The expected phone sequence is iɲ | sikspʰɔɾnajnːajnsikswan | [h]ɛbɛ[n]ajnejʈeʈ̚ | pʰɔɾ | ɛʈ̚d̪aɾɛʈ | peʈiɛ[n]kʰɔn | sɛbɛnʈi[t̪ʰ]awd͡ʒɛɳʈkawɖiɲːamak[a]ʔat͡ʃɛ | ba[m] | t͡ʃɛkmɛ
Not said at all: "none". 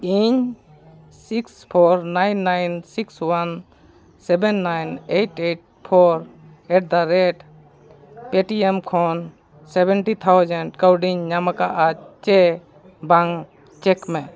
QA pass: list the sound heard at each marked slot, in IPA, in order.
s, nː, m, t̪ʰ, a, ŋ

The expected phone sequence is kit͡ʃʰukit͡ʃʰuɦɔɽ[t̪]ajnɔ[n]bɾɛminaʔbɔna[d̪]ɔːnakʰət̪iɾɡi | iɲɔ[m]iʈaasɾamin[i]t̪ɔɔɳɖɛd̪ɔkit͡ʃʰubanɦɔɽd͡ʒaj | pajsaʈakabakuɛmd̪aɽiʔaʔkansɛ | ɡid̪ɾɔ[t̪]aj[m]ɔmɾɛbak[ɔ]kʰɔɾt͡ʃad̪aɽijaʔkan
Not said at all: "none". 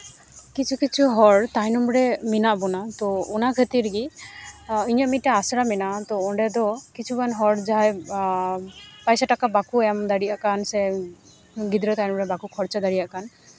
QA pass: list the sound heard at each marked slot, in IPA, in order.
t̪, m, t̪, m, a, t̪, n, u

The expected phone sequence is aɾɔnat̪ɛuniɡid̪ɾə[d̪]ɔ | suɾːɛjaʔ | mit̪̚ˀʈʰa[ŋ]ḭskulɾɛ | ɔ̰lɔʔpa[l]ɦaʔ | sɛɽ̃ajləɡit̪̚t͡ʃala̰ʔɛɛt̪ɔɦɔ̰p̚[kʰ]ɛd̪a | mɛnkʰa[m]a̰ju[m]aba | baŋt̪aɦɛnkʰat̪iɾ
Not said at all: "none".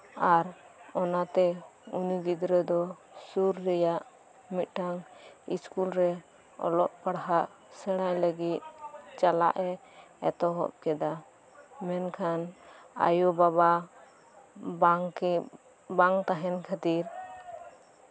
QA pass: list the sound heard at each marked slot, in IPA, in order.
d̪, ŋ, ɽ, k, n, b

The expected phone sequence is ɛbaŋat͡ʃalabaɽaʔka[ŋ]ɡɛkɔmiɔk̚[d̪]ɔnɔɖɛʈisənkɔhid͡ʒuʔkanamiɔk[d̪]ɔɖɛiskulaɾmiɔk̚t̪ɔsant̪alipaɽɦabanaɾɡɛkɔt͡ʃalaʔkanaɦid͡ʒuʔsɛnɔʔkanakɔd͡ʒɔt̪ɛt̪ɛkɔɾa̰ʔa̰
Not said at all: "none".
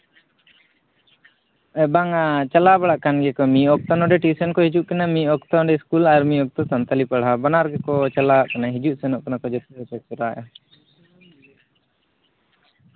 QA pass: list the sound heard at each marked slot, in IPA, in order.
n, t̪, t̪

